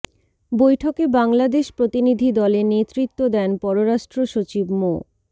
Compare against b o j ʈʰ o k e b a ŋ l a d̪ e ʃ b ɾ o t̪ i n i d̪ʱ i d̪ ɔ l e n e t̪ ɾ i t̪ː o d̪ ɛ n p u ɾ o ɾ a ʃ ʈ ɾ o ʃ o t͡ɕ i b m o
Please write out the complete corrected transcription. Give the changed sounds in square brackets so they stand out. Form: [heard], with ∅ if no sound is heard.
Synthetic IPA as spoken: b o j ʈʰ o k e b a ŋ l a d̪ e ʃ [p] ɾ o t̪ i n i d̪ʱ i d̪ ɔ l e n e t̪ ɾ i t̪ː o d̪ ɛ n p [ɔ] ɾ o ɾ a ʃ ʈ ɾ o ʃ o t͡ɕ i b m o